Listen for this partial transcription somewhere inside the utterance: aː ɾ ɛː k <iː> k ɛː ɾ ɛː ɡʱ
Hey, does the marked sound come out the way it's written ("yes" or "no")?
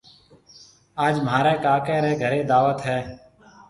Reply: no